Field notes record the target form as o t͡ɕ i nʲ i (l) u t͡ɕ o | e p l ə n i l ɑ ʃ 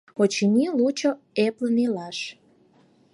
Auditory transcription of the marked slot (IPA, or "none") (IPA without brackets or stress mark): l